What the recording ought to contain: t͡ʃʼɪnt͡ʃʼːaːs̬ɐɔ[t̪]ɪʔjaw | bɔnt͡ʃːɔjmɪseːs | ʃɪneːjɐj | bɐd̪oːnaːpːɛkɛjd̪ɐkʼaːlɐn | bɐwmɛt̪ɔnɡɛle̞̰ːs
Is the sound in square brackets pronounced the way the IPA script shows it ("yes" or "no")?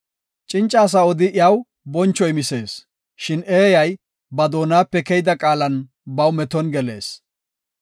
no